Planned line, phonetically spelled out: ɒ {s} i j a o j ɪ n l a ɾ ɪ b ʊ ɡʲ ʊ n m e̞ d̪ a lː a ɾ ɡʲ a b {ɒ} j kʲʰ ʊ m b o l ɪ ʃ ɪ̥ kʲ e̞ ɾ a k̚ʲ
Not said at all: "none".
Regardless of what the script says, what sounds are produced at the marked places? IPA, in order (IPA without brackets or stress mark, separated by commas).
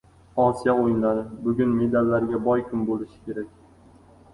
s, ɒ